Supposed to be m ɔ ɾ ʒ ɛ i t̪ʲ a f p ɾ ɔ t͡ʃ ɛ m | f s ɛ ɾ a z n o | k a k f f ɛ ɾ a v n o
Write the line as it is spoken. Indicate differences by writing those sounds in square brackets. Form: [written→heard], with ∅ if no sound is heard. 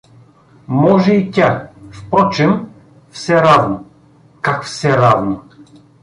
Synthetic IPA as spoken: m ɔ [ɾ→∅] ʒ ɛ i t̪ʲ a f p ɾ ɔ t͡ʃ ɛ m | f s ɛ ɾ a [z→v] n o | k a k f [f→s] ɛ ɾ a v n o